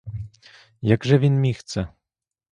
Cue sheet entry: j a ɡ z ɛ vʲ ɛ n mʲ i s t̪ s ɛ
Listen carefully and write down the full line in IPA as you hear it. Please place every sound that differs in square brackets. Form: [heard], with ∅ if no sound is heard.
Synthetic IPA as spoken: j a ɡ [ʐ] ɛ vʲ [i] n mʲ i [x] t̪ s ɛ